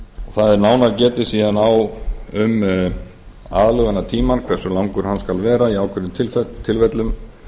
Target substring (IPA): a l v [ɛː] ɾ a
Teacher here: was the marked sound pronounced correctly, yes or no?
yes